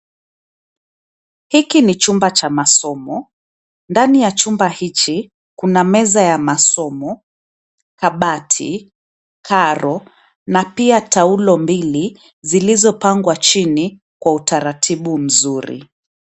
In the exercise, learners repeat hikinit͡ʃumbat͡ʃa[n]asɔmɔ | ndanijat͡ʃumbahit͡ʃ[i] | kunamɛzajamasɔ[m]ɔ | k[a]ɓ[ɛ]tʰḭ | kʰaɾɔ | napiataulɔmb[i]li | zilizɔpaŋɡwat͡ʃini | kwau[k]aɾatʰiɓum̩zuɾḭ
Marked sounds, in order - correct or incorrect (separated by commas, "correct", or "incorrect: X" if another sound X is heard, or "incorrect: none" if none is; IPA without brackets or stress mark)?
incorrect: m, correct, correct, correct, incorrect: a, correct, incorrect: t